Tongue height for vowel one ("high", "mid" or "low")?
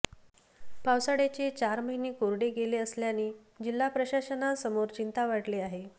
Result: low